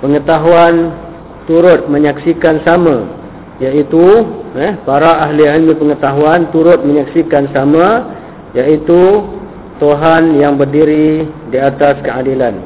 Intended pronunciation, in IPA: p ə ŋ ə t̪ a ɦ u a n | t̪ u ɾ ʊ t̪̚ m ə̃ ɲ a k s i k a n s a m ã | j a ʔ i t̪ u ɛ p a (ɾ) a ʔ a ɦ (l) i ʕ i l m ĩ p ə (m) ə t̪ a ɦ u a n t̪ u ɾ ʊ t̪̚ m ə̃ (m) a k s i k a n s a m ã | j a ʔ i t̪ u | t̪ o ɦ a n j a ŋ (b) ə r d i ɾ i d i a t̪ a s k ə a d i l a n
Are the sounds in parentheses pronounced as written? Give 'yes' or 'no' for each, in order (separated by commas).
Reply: yes, yes, no, no, yes